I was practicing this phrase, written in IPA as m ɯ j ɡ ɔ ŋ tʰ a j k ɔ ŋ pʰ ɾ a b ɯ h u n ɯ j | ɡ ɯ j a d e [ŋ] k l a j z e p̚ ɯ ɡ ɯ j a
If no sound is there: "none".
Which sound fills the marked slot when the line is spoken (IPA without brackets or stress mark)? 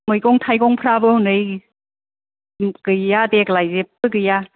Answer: none